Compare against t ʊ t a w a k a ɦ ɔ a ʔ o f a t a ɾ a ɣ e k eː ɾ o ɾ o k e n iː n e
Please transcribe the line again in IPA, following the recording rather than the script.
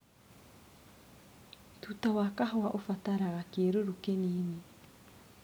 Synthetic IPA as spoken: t u t a w a k a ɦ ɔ a ʔ o f a t a ɾ a ɣ a k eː ɾ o ɾ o k e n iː n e